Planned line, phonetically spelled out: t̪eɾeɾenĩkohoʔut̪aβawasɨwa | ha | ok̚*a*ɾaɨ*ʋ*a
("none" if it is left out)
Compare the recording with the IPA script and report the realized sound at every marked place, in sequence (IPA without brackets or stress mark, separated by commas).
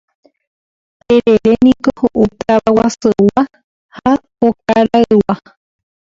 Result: a, w